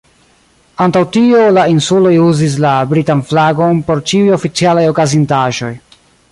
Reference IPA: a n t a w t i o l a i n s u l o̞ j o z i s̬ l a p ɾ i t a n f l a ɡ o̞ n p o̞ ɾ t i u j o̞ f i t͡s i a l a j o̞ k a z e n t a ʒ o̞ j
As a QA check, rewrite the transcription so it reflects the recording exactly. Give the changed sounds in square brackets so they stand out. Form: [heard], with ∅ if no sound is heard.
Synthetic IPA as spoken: a n t a w t i o l a i n s u l o̞ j [u] z i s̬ l a [b] ɾ i t a n f l a ɡ o̞ n p o̞ ɾ [t͡ʃ] i u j o̞ f i t͡s i a l a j o̞ k a z [i] n t a ʒ o̞ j